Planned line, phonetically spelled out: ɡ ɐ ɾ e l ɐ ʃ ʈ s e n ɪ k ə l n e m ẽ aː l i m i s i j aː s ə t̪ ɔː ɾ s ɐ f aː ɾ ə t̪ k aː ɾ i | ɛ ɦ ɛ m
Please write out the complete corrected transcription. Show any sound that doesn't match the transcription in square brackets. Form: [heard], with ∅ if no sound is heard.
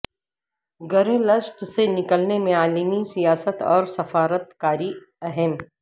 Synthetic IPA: ɡ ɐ ɾ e l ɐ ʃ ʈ s e n ɪ k ə l n e m ẽ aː l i m i s i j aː s ə t̪ ɔː ɾ s ɐ f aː ɾ ə t̪ k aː ɾ i | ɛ ɦ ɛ m